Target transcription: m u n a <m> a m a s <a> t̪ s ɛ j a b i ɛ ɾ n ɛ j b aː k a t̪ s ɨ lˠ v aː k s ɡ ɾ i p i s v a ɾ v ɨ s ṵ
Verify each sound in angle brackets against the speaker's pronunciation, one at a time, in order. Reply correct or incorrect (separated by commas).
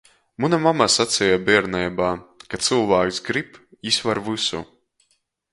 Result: correct, correct